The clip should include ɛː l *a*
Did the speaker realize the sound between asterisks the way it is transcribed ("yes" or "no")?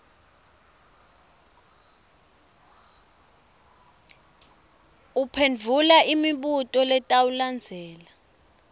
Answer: yes